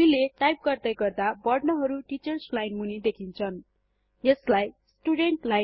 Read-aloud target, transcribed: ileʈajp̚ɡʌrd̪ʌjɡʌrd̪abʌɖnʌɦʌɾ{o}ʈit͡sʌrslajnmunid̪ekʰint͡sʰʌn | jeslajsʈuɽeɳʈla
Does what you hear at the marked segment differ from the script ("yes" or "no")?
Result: yes